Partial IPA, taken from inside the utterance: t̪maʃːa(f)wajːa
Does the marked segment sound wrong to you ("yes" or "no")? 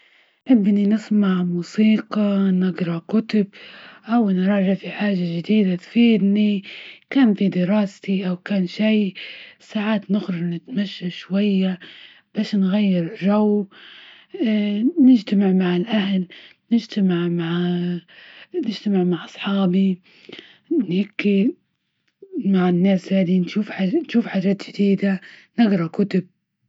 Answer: yes